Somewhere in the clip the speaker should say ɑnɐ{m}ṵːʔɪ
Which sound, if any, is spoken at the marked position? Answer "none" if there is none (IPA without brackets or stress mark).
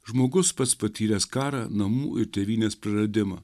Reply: m